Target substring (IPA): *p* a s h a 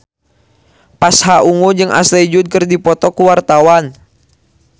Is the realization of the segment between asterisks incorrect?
no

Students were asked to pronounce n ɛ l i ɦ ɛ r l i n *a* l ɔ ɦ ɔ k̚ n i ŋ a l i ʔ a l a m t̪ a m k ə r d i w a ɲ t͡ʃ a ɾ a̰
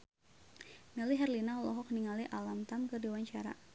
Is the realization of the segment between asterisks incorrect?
no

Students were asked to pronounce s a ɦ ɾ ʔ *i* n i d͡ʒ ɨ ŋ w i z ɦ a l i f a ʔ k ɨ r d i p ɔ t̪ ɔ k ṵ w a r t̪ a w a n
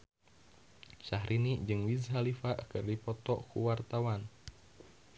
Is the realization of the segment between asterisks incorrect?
no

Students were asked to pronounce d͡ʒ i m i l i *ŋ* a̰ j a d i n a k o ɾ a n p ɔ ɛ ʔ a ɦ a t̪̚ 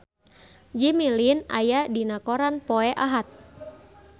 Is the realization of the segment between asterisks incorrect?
yes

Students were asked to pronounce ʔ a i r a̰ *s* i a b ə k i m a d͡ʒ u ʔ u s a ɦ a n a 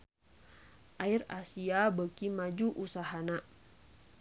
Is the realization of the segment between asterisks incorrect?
no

